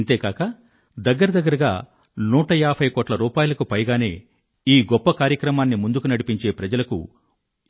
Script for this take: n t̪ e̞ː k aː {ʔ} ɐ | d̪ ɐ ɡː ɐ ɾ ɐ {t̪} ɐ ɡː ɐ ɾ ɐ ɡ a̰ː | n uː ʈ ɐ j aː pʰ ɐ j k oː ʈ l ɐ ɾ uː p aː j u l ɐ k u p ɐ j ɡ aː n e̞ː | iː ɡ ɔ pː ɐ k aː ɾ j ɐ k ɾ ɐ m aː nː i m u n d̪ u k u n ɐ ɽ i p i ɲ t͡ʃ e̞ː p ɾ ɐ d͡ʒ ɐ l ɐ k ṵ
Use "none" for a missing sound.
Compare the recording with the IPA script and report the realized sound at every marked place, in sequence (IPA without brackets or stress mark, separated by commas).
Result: k, d̪